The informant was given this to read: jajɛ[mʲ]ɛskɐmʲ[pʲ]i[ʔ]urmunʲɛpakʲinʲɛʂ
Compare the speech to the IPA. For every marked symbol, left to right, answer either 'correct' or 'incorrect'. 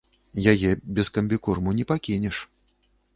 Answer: incorrect: bʲ, incorrect: bʲ, incorrect: k

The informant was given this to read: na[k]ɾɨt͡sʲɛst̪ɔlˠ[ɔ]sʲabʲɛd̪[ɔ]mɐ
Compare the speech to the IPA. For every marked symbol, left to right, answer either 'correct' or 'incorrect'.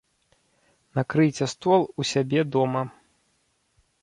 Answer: correct, incorrect: u, correct

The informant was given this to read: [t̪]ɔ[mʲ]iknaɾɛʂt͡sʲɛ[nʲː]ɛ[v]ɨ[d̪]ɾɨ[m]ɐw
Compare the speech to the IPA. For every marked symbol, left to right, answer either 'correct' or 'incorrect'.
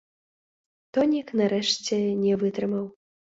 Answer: correct, incorrect: nʲ, incorrect: nʲ, correct, incorrect: t̪, correct

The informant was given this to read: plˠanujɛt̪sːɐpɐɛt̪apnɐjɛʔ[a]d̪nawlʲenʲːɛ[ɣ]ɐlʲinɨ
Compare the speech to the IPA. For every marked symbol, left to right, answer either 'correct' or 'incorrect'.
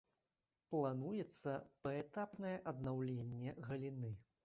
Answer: incorrect: ɐ, correct

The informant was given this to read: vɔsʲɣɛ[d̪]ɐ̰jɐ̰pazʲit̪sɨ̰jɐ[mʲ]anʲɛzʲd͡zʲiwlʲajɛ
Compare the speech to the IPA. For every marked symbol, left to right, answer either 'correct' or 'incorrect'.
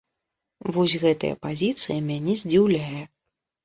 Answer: incorrect: t̪, correct

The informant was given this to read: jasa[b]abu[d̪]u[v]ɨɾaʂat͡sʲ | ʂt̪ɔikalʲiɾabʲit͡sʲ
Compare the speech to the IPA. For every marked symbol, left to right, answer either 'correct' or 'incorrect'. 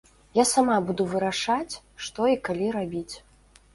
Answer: incorrect: m, correct, correct

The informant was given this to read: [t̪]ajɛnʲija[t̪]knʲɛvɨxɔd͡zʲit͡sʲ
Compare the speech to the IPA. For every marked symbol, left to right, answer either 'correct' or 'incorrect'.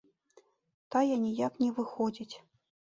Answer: correct, incorrect: none

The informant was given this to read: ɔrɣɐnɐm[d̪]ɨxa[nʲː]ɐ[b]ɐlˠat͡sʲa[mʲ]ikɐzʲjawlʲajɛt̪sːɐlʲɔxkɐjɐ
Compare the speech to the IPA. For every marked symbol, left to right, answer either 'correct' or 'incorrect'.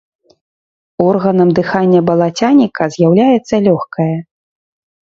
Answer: correct, correct, correct, incorrect: nʲ

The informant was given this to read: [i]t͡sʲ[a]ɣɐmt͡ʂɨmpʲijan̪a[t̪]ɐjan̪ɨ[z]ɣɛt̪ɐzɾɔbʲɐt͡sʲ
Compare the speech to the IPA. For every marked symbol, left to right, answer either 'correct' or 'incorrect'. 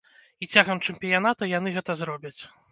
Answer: correct, correct, correct, incorrect: none

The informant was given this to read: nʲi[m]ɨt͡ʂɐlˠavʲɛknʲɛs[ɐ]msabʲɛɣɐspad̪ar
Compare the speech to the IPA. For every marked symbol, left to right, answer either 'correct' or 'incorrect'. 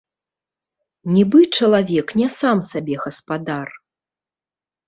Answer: incorrect: b, incorrect: a

